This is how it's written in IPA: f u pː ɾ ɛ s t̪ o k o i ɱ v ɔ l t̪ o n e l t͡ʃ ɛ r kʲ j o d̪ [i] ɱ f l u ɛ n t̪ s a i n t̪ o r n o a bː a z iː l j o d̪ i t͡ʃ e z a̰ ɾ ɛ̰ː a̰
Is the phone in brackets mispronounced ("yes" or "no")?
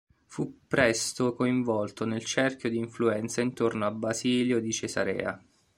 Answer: yes